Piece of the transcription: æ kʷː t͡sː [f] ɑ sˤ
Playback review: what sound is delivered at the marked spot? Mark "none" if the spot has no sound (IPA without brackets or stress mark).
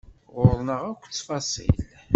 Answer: f